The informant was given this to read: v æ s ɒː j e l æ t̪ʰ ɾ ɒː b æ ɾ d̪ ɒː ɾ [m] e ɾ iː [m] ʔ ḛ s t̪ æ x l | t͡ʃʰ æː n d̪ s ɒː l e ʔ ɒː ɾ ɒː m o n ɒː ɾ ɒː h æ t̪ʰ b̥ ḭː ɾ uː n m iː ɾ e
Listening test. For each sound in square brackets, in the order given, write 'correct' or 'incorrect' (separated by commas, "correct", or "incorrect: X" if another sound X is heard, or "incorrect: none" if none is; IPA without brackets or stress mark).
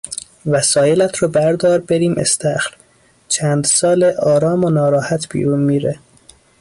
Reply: incorrect: b, correct